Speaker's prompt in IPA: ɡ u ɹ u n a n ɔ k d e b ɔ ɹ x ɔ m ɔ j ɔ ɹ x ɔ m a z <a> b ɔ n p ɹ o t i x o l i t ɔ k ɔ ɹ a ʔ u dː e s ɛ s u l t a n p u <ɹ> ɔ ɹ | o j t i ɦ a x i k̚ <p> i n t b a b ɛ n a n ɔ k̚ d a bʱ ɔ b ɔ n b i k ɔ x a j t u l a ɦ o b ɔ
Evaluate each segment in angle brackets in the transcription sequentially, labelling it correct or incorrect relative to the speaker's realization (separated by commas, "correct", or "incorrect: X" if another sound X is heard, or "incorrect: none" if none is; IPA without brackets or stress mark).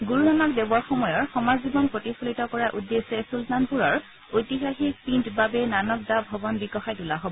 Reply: incorrect: i, correct, correct